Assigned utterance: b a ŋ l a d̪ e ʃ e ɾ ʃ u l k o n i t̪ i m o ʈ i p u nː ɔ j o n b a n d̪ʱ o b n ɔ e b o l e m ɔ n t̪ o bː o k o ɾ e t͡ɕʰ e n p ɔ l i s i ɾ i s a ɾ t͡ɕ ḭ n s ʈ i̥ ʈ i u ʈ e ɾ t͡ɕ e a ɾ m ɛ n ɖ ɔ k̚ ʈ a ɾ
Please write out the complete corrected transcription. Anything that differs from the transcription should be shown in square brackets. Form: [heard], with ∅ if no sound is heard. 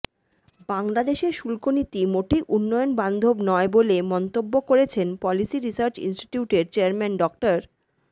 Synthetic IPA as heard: b a ŋ l a d̪ e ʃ e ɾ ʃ u l k o n i t̪ i m o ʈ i [ʔ] u nː ɔ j o n b a n d̪ʱ o b n ɔ e b o l e m ɔ n t̪ o bː o k o ɾ e t͡ɕʰ e n p ɔ l i s i ɾ i s a ɾ t͡ɕ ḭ n s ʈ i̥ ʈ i u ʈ e ɾ t͡ɕ e a ɾ m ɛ n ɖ ɔ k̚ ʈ a ɾ